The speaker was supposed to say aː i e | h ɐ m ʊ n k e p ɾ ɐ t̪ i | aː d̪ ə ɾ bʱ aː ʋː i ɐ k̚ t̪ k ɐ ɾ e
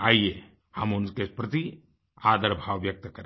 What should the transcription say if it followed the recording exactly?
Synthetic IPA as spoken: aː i e | h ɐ m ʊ n k e p ɾ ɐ t̪ i | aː d̪ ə ɾ bʱ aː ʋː j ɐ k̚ t̪ k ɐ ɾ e